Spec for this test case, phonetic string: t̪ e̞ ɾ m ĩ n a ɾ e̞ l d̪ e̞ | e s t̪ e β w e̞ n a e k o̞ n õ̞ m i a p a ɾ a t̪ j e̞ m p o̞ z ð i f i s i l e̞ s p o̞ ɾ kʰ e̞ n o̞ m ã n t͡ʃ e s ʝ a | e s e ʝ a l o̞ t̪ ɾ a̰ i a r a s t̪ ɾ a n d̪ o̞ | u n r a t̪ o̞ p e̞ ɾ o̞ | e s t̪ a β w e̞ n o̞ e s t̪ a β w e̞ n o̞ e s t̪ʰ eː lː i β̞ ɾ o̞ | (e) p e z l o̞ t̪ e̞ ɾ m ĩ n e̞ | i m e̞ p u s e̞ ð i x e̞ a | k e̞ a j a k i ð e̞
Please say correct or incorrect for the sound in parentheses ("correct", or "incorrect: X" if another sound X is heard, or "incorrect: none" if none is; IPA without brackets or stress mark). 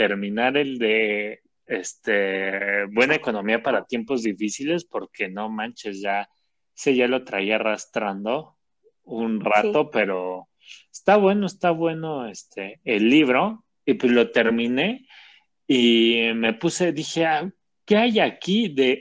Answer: incorrect: i